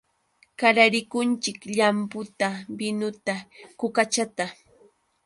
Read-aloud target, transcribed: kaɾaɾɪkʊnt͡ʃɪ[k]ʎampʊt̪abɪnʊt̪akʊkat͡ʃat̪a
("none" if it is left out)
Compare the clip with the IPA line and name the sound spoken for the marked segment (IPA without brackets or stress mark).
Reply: k